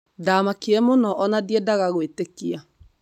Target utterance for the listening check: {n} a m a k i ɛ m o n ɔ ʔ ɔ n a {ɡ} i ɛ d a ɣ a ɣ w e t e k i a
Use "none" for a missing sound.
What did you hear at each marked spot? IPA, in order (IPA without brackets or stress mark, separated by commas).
d, d